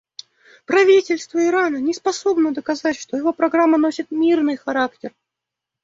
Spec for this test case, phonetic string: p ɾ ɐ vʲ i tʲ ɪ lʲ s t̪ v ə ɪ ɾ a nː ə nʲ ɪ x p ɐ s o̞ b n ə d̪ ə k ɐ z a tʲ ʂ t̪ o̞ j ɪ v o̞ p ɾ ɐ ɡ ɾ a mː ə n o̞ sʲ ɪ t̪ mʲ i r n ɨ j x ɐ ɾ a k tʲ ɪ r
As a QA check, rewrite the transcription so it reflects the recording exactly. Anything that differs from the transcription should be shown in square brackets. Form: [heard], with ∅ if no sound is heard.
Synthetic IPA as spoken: p ɾ ɐ vʲ i tʲ ɪ lʲ s t̪ v ə ɪ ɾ a [n] ə nʲ ɪ [s] p ɐ s o̞ b n ə d̪ ə k ɐ z a tʲ ʂ t̪ o̞ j ɪ v o̞ p ɾ ɐ ɡ ɾ a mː ə n o̞ sʲ ɪ t̪ mʲ i r n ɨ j x ɐ ɾ a k tʲ ɪ r